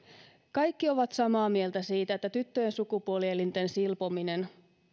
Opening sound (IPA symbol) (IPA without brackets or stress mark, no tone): k